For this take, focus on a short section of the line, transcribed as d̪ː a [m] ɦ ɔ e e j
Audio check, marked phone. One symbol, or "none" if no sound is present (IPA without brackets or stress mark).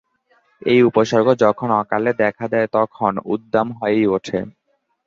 m